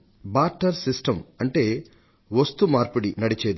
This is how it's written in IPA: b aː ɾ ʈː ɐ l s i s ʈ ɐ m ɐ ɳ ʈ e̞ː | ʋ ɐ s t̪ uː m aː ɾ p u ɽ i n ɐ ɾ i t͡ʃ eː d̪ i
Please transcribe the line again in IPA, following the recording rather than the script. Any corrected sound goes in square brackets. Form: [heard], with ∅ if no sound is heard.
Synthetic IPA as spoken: b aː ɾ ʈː ɐ [ɾ] s i s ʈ ɐ m ɐ ɳ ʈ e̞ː | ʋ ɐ s t̪ [u] m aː ɾ p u ɽ i n ɐ [ɽ] i t͡ʃ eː d̪ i